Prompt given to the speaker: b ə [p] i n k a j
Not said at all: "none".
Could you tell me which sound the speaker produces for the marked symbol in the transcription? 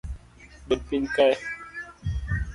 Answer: p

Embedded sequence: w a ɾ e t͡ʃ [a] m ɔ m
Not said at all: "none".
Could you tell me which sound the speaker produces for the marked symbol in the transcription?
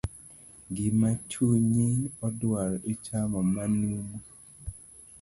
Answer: a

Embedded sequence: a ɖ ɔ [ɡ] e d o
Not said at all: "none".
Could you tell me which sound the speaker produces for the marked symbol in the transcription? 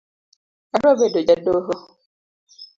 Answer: b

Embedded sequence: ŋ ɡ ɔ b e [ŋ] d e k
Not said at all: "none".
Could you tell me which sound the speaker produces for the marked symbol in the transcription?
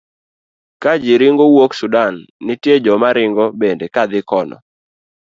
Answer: n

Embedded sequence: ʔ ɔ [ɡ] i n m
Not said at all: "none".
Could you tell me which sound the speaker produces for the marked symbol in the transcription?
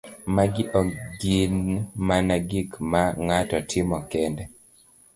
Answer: ɡ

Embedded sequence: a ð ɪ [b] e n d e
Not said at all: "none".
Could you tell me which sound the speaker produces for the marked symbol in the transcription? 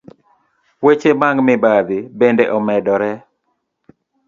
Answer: b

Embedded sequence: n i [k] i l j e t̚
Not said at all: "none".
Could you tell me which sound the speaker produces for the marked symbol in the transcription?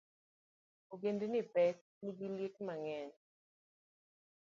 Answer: ɡ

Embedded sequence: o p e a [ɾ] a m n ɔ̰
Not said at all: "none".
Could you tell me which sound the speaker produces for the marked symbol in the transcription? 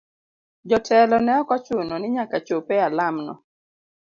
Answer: l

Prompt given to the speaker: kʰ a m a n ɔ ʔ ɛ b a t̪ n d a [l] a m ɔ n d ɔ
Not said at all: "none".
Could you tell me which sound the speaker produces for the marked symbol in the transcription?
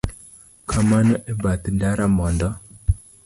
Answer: ɾ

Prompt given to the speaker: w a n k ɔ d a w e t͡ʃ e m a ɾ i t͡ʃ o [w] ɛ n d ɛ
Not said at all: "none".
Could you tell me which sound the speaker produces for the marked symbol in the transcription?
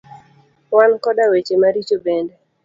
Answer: b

